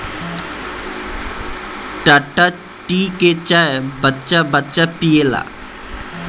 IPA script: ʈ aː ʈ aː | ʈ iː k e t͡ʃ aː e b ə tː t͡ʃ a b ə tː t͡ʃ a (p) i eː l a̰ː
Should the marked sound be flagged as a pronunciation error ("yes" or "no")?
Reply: no